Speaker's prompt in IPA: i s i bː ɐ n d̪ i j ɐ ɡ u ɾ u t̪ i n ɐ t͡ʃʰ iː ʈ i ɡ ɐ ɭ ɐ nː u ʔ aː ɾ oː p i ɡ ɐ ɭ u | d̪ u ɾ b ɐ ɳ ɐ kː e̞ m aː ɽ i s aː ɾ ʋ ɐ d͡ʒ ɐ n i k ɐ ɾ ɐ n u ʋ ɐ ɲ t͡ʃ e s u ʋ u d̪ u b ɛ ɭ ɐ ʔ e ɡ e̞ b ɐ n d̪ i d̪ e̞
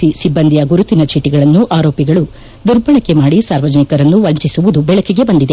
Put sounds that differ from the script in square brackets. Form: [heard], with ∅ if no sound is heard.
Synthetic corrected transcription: i s i bː ɐ n d̪ i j ɐ ɡ u ɾ u t̪ i n ɐ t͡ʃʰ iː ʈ i ɡ ɐ ɭ ɐ nː u ʔ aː ɾ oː p i ɡ ɐ ɭ u | d̪ u ɾ b ɐ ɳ ɐ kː e̞ m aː ɽ i s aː ɾ ʋ ɐ d͡ʒ ɐ n i k ɐ ɾ ɐ [nː] u ʋ ɐ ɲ t͡ʃ [i] s u ʋ u d̪ u b ɛ ɭ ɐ [k] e ɡ e̞ b ɐ n d̪ i d̪ e̞

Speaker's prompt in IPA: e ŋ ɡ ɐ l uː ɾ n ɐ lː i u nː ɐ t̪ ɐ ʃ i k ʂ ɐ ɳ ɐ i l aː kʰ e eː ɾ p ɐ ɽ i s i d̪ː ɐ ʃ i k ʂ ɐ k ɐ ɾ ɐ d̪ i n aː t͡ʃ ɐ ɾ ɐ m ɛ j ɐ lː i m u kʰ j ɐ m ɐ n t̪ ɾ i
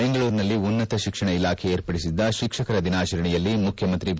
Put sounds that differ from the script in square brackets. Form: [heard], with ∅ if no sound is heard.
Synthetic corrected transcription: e ŋ ɡ ɐ [ɭ] uː ɾ n ɐ lː i u nː ɐ t̪ ɐ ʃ i k ʂ ɐ ɳ ɐ i l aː kʰ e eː ɾ p ɐ ɽ i s i d̪ː ɐ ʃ i k ʂ ɐ k ɐ ɾ ɐ d̪ i n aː t͡ʃ ɐ ɾ ɐ [ɳ] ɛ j ɐ lː i m u kʰ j ɐ m ɐ n t̪ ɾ i

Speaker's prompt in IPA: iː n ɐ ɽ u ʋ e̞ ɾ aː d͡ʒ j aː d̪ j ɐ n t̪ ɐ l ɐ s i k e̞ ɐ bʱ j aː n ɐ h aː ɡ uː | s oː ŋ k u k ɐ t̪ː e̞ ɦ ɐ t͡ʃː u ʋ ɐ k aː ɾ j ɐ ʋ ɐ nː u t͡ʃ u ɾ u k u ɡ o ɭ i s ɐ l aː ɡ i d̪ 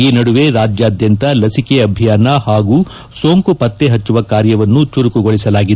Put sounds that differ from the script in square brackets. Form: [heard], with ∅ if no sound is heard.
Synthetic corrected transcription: iː n ɐ ɽ u ʋ e̞ ɾ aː d͡ʒ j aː d̪ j ɐ n t̪ ɐ l ɐ s i k e̞ ɐ bʱ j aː n ɐ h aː ɡ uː | s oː ŋ k u [p] ɐ t̪ː e̞ ɦ ɐ t͡ʃː u ʋ ɐ k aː ɾ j ɐ ʋ ɐ nː u t͡ʃ u ɾ u k u ɡ o ɭ i s ɐ l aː ɡ i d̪

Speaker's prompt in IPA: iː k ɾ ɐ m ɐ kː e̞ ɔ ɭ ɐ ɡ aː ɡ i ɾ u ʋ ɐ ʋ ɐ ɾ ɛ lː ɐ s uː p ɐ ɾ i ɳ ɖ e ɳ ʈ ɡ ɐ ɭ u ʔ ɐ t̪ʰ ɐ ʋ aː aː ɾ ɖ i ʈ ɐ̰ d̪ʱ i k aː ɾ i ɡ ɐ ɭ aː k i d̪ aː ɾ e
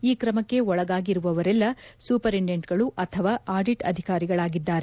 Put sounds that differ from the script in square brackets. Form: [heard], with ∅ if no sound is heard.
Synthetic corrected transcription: iː k ɾ ɐ m ɐ kː e̞ ɔ ɭ ɐ ɡ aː ɡ i ɾ u ʋ ɐ ʋ ɐ ɾ ɛ lː ɐ s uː p ɐ ɾ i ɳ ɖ e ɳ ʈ ɡ ɐ ɭ u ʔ ɐ t̪ʰ ɐ ʋ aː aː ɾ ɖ i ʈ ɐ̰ d̪ʱ i k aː ɾ i ɡ ɐ ɭ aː [ɡ] i [d̪ː] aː ɾ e

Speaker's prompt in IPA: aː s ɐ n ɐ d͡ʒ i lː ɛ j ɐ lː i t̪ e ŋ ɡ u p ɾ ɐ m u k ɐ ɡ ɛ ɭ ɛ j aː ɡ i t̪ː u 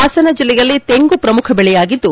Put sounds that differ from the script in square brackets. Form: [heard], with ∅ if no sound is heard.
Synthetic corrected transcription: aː s ɐ n ɐ d͡ʒ i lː ɛ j ɐ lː i t̪ e ŋ ɡ u p ɾ ɐ m u [kʰ] ɐ [b] ɛ ɭ ɛ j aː ɡ i [d̪ː] u

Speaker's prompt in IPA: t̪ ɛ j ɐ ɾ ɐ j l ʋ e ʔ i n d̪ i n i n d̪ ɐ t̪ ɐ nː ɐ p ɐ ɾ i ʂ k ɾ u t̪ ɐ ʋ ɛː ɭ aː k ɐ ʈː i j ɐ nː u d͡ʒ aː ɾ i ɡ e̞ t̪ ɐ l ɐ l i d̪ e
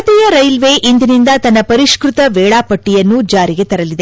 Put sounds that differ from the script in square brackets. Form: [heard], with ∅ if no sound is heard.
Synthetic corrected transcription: t̪ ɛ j ɐ ɾ ɐ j l ʋ e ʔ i n d̪ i n i n d̪ ɐ t̪ ɐ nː ɐ p ɐ ɾ i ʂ k ɾ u t̪ ɐ ʋ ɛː ɭ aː [p] ɐ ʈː i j ɐ nː u d͡ʒ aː ɾ i ɡ e̞ t̪ ɐ [ɾ] ɐ l i d̪ e

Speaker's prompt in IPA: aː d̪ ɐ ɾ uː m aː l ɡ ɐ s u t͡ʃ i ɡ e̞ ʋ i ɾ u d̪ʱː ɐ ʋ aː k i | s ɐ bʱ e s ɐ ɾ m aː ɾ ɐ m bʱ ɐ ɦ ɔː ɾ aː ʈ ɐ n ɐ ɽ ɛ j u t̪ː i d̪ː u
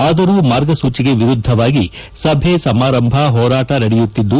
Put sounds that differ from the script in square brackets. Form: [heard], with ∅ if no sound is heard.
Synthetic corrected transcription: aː d̪ ɐ ɾ uː m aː [ɾ] ɡ ɐ s [uː] t͡ʃ i ɡ e̞ ʋ i ɾ u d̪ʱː ɐ ʋ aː [ɡ] i | s ɐ bʱ e s ɐ [∅] m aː ɾ ɐ m bʱ ɐ ɦ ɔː ɾ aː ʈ ɐ n ɐ ɽ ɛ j u t̪ː i d̪ː u

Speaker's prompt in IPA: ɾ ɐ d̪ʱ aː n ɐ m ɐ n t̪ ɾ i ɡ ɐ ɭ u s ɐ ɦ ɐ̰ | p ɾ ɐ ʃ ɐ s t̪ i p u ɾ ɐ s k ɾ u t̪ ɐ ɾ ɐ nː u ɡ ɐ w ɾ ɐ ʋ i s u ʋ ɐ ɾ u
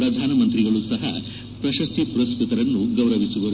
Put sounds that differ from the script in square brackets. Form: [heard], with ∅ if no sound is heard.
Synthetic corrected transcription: ɾ ɐ d̪ʱ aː n ɐ m ɐ n t̪ ɾ i ɡ ɐ ɭ u s ɐ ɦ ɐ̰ | p ɾ ɐ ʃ ɐ s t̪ i p u ɾ ɐ s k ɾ u t̪ ɐ ɾ ɐ nː u ɡ ɐ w ɾ ɐ ʋ i s u ʋ ɐ ɾ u

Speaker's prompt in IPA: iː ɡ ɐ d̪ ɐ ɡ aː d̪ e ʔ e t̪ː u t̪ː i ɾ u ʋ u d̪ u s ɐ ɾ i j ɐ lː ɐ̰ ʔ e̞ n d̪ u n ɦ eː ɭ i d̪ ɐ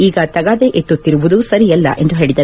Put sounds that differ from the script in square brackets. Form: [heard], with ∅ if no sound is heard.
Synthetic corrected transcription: iː ɡ ɐ [t̪] ɐ ɡ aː d̪ e ʔ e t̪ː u t̪ː i ɾ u ʋ u d̪ u s ɐ ɾ i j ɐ lː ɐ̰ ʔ e̞ n d̪ u [∅] ɦ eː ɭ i d̪ ɐ

